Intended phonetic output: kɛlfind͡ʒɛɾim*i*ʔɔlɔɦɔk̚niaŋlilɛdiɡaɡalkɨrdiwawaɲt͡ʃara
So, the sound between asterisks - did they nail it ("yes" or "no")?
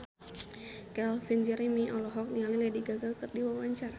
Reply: yes